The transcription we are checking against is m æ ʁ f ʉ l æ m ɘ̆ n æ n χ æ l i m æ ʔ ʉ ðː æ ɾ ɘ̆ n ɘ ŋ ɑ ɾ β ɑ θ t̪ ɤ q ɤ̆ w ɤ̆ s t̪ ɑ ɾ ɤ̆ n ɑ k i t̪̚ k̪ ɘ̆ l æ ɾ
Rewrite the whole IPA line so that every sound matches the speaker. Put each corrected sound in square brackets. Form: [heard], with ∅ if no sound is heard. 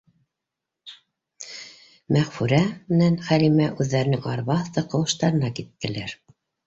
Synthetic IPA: m æ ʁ f ʉ [ɾ] æ m ɘ̆ n æ n χ æ l i m æ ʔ ʉ ðː æ ɾ ɘ̆ n ɘ ŋ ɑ ɾ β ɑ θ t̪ ɤ q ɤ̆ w ɤ̆ [ʃ] t̪ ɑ ɾ ɤ̆ n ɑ k i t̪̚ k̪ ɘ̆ l æ ɾ